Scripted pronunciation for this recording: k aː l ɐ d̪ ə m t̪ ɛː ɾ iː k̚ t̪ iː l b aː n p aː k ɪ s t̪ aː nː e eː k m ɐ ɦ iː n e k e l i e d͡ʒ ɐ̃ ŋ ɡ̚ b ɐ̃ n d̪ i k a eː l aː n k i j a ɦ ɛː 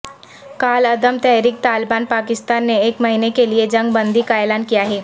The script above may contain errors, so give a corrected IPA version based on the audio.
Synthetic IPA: k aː l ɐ d̪ ə m t̪ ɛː ɾ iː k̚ t̪ aː l b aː n p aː k ɪ s t̪ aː nː e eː k m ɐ ɦ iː n e k e l i e d͡ʒ ɐ̃ ŋ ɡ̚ b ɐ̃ n d̪ i k a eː l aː n k i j a ɦ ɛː